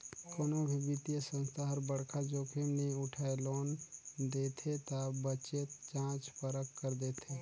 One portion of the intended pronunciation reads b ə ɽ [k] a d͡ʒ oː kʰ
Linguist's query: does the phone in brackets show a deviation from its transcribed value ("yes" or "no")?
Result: yes